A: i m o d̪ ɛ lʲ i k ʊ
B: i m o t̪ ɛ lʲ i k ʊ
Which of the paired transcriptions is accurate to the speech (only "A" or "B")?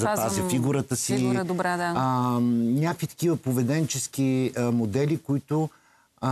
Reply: A